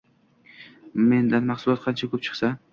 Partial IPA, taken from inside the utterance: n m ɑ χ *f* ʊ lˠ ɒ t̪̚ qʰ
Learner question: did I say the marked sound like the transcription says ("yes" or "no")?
no